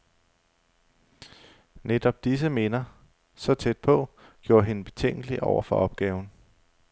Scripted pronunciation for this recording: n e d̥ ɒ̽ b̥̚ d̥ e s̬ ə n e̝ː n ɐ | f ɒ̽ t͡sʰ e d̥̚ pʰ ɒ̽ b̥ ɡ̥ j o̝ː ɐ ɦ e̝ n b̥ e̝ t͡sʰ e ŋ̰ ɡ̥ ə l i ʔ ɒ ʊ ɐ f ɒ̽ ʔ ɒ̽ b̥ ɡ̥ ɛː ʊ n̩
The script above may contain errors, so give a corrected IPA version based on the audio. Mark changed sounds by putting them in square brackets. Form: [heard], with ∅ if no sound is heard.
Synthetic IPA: n e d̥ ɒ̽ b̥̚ d̥ [i] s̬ ə [m] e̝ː n ɐ | [s] ɒ̽ t͡sʰ e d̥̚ pʰ ɒ̽ [∅] ɡ̥ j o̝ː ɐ ɦ e̝ n b̥ e̝ t͡sʰ e ŋ̰ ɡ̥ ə l i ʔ ɒ ʊ ɐ f ɒ̽ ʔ ɒ̽ b̥ ɡ̥ ɛː ʊ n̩